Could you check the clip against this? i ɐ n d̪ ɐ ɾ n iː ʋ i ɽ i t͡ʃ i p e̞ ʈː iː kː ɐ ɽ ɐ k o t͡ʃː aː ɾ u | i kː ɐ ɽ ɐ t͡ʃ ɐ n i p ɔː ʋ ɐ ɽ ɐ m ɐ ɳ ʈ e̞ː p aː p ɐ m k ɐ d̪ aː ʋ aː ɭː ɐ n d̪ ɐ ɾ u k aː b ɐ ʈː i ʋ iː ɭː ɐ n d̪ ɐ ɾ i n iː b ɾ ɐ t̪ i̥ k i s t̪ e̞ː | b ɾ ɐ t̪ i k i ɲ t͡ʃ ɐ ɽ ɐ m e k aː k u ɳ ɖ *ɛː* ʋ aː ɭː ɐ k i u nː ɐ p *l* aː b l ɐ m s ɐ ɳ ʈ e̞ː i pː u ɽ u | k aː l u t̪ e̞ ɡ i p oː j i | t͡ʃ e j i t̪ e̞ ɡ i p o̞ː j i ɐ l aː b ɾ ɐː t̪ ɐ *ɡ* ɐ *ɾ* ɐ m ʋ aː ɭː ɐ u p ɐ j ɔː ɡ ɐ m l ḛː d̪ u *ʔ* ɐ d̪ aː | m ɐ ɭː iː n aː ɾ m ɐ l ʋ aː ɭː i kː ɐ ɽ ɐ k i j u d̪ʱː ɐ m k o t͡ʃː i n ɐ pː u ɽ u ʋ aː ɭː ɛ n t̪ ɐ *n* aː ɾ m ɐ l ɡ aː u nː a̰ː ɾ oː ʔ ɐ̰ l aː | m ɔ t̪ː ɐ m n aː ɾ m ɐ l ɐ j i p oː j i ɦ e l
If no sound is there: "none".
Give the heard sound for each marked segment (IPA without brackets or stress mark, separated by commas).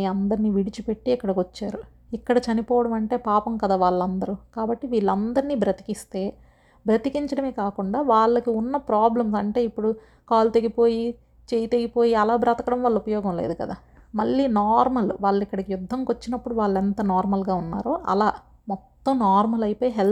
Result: aː, ɾ, k, ɽ, k, n